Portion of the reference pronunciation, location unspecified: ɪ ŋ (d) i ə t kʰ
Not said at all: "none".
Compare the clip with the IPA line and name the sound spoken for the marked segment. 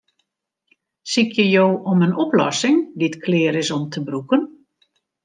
d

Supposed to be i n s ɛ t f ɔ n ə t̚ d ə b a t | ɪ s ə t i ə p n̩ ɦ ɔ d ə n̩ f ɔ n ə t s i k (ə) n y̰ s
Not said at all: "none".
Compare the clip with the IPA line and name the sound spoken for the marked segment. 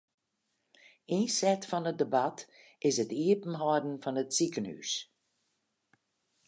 ə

